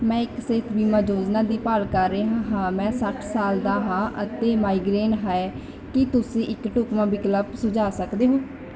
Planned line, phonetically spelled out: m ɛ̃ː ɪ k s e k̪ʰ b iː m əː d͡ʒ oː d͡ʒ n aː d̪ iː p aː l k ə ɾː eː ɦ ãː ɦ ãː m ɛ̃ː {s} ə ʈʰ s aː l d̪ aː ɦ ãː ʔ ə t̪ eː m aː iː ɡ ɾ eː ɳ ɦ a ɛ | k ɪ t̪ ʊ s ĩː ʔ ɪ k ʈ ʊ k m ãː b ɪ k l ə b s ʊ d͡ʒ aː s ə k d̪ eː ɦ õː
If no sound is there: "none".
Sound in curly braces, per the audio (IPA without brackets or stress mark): s